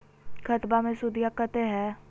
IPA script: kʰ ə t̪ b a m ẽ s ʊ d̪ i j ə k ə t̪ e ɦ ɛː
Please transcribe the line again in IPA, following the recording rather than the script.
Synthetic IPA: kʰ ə t̪ b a m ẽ s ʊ d̪ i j a k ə t̪ e ɦ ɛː

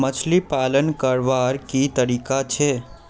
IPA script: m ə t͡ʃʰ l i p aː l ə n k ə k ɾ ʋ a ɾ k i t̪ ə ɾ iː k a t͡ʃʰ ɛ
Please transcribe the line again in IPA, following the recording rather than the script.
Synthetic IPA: m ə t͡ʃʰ l i p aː l ə n k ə ɾ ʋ a ɾ k i t̪ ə ɾ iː k a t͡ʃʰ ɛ

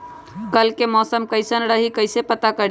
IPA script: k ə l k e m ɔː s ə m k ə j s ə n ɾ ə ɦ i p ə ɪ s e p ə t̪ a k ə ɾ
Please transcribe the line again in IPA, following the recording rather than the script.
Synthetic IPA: k ə l k e m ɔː s ə m k ə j s ə n ɾ ə ɦ i k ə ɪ s e p ə t̪ a k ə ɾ

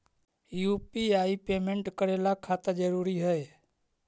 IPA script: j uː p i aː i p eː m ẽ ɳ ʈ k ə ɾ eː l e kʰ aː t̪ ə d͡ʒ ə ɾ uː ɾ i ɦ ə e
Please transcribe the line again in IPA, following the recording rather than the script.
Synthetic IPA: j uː p i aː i p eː m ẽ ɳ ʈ k ə ɾ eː l a kʰ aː t̪ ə d͡ʒ ə ɾ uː ɾ i ɦ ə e

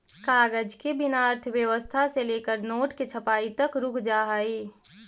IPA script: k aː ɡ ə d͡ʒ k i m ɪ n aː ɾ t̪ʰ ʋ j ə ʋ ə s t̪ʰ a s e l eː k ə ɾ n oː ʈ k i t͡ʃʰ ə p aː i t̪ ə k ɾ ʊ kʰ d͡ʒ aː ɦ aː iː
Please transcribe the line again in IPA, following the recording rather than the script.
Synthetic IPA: k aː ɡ ə d͡ʒ k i b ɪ n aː ɾ t̪ʰ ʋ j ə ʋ ə s t̪ʰ a s e l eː k ə ɾ n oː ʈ k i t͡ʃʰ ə p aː i t̪ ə k ɾ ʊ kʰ d͡ʒ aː ɦ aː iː

